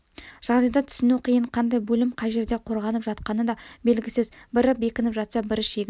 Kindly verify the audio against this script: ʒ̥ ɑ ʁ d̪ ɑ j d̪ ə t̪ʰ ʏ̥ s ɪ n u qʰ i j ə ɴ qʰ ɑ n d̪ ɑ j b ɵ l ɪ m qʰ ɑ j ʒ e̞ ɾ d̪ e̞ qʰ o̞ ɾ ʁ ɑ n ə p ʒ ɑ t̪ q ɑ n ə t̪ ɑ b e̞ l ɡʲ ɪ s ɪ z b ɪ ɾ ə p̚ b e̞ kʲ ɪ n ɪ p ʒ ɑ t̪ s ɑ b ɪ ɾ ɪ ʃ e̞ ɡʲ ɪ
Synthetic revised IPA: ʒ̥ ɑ ʁ d̪ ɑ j d̪ ɑ t̪ʰ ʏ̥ s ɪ n u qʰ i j ə ɴ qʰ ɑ n d̪ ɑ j b ɵ l ɪ m qʰ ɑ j ʒ e̞ ɾ d̪ e̞ qʰ o̞ ɾ ʁ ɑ n ə p ʒ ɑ t̪ q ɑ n ə d̪ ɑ b e̞ l ɡʲ ɪ s ɪ z b ɪ ɾ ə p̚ b e̞ kʲ ɪ n ɪ p ʒ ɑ t̪ s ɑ b ɪ ɾ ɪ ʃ e̞ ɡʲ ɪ